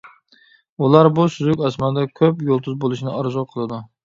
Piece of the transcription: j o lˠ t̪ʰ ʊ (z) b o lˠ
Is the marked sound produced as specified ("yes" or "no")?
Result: yes